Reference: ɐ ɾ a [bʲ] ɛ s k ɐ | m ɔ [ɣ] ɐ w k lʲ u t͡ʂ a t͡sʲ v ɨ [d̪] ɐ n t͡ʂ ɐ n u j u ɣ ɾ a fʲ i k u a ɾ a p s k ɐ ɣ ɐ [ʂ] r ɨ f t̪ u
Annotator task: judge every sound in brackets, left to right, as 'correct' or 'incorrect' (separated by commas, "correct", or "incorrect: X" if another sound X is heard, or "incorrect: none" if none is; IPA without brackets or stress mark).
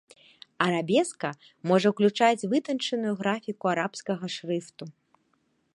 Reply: correct, incorrect: ʐ, incorrect: t̪, correct